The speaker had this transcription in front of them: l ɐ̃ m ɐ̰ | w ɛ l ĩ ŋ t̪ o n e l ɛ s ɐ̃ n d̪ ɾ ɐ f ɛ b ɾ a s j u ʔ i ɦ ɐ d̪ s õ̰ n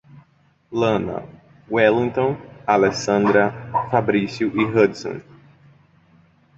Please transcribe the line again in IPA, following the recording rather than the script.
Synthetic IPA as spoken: l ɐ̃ n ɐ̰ | w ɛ l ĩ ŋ t̪ õ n a l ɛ s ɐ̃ n d̪ ɾ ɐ f a b ɾ i s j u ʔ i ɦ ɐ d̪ s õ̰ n